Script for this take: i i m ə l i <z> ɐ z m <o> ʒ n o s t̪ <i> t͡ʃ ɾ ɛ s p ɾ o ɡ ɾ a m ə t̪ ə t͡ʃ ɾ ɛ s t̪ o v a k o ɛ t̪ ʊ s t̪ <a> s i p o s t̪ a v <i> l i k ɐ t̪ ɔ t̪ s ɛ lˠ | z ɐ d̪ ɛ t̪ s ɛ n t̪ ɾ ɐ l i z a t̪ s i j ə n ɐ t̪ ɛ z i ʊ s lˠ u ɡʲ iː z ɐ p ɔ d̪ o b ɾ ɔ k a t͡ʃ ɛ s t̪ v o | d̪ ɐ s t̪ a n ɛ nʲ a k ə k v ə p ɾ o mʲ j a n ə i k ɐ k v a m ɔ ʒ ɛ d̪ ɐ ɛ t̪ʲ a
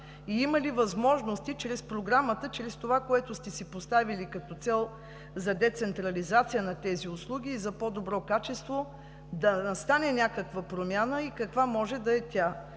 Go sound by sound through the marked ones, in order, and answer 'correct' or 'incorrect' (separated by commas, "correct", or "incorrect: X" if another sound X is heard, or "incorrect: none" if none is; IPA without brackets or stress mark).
incorrect: v, incorrect: ɔ, correct, incorrect: ɛ, correct